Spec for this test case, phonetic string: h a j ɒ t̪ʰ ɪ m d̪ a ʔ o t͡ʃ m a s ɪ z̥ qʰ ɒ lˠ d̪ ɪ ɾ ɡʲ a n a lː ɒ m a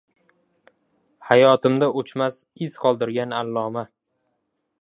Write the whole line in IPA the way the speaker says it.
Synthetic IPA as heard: h a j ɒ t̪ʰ ɪ m d̪ a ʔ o t͡ʃ m a s ɪ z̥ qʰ ɒ lˠ d̪ ɪ ɾ ɡʲ a n a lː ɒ m a